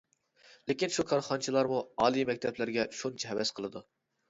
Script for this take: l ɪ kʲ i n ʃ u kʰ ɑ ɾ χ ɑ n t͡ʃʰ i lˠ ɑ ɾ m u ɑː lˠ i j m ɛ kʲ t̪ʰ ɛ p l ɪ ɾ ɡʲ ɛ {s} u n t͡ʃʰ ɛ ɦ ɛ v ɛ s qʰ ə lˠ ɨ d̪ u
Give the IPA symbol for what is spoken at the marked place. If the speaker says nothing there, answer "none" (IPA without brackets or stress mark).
ʃ